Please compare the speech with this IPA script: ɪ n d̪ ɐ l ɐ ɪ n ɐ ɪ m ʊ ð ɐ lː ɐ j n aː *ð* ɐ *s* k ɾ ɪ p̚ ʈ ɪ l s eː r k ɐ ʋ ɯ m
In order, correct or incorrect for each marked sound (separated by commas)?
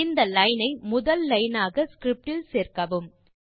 incorrect, correct